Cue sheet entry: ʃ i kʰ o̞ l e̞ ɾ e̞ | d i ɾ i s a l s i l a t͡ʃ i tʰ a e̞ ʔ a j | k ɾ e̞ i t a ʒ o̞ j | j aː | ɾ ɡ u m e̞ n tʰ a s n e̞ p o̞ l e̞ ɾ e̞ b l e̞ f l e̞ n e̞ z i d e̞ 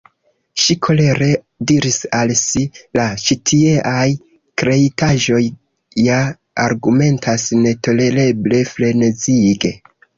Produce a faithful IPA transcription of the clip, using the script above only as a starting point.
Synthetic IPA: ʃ i kʰ o̞ l e̞ ɾ e̞ | d i ɾ i s a l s i l a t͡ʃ i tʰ i e̞ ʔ a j | k ɾ e̞ i t a ʒ o̞ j | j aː | ɾ ɡ u m e̞ n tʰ a s n e̞ t o̞ l e̞ ɾ e̞ b l e̞ f l e̞ n e̞ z i ɡ e̞